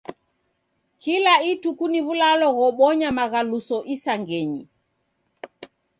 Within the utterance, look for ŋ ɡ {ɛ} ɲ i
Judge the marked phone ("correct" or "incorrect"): correct